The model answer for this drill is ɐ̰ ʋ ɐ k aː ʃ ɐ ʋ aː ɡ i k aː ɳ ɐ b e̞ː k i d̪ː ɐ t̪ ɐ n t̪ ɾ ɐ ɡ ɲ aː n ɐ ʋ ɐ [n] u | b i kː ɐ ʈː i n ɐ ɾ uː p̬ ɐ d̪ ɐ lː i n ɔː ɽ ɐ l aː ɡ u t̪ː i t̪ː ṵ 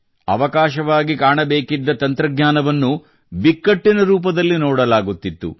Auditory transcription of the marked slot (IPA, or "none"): nː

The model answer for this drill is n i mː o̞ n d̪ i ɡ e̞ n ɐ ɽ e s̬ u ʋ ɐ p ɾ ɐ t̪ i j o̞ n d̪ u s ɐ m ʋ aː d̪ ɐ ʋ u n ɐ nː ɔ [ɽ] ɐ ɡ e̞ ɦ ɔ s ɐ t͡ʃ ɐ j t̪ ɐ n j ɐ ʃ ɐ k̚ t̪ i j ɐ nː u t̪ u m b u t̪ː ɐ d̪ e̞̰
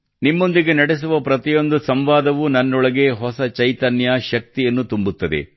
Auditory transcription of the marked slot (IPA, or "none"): ɭ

